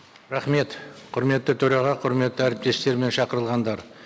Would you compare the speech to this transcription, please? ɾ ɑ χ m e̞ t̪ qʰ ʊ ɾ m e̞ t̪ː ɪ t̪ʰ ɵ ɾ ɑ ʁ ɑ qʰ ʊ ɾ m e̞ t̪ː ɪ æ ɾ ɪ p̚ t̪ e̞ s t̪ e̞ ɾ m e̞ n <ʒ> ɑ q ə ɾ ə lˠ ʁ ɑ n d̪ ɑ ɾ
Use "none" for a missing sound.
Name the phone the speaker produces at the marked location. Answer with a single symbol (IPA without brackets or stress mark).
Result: ʃ